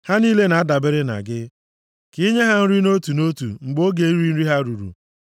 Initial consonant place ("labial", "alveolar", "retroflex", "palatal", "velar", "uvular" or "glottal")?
glottal